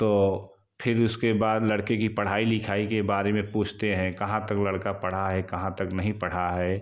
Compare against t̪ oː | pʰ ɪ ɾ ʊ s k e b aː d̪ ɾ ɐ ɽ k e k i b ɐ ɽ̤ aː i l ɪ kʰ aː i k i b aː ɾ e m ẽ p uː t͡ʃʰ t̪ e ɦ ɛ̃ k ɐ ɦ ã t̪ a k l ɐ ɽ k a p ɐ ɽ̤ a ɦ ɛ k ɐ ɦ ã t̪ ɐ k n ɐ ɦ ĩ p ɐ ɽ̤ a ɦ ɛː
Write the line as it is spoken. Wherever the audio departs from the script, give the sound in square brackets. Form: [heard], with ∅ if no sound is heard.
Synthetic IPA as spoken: t̪ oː | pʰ ɪ ɾ ʊ s k e b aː d̪ [l] ɐ ɽ k e k i [p] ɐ ɽ̤ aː i l ɪ kʰ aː i k [e] b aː ɾ e m ẽ p uː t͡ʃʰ t̪ e ɦ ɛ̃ k ɐ ɦ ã t̪ [ɐ] k l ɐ ɽ k a p ɐ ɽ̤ a ɦ ɛ k ɐ ɦ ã t̪ ɐ k n ɐ ɦ ĩ p ɐ ɽ̤ a ɦ ɛː

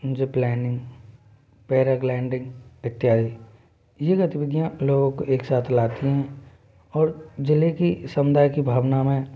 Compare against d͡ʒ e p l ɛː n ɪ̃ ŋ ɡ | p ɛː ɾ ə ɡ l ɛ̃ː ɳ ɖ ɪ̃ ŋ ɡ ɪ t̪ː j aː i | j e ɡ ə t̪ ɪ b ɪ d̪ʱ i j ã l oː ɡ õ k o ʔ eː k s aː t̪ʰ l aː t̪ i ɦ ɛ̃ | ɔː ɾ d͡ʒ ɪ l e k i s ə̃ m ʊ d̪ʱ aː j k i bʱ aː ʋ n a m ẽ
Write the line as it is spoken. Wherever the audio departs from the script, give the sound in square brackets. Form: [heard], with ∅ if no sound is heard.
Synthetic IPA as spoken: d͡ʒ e p l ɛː n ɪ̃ ŋ ɡ | p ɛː ɾ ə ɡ l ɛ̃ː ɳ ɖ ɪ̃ ŋ ɡ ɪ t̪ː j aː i | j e ɡ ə t̪ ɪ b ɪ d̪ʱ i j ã l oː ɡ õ k o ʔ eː k s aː t̪ʰ l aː t̪ i ɦ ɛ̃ | ɔː ɾ d͡ʒ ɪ l e k i s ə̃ m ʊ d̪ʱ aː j k i bʱ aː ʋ n a m ẽ

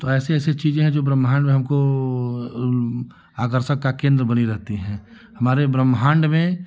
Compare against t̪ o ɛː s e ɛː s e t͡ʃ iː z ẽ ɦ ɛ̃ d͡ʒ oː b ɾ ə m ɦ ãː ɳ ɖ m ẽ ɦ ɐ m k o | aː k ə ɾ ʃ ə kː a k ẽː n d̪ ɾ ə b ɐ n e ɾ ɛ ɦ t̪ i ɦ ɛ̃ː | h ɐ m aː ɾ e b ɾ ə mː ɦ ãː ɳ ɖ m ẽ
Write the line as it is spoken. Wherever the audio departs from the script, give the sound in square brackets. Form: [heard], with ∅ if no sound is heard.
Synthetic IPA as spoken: t̪ o ɛː s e ɛː s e t͡ʃ iː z ẽ ɦ ɛ̃ d͡ʒ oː b ɾ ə m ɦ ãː ɳ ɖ m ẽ ɦ ɐ m k o | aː k ə ɾ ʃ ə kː a k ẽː n d̪ ɾ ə b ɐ n [i] ɾ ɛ ɦ t̪ i ɦ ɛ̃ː | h ɐ m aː ɾ e b ɾ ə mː ɦ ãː ɳ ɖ m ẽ

